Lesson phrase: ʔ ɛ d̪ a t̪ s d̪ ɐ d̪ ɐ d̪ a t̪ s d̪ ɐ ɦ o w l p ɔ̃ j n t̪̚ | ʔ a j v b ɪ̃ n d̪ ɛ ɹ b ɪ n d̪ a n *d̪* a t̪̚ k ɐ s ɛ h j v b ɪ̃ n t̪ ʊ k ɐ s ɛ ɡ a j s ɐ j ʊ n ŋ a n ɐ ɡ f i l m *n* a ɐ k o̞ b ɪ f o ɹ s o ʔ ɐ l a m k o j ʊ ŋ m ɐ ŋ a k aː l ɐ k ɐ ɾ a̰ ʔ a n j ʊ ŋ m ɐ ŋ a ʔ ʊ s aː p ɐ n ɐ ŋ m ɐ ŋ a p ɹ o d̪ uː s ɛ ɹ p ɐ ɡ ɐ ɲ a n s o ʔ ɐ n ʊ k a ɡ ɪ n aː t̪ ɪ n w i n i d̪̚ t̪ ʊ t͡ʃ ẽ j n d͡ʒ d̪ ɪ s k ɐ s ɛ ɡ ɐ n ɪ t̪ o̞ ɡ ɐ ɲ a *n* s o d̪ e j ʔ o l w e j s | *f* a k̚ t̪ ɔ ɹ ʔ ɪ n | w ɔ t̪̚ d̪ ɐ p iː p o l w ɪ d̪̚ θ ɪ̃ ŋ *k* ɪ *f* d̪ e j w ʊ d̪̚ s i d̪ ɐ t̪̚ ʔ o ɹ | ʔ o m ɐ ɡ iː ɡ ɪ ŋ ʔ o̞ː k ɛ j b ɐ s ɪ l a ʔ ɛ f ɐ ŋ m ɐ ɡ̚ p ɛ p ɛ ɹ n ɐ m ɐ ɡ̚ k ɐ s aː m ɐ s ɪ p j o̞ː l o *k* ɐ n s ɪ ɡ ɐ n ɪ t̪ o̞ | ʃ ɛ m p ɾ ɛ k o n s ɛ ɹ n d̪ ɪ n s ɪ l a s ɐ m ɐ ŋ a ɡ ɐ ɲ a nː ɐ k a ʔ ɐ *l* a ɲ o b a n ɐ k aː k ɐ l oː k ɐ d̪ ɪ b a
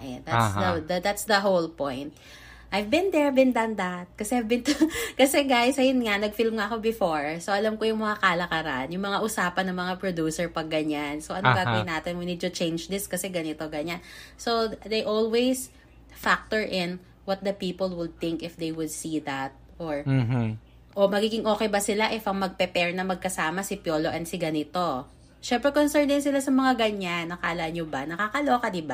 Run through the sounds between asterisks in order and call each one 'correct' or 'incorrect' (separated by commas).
correct, incorrect, correct, correct, correct, correct, incorrect, correct